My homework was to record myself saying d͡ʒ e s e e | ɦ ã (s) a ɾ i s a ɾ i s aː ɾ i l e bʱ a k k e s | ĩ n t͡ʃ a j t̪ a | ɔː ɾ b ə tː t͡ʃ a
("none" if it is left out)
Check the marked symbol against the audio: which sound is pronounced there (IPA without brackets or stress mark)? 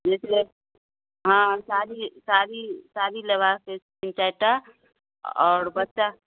s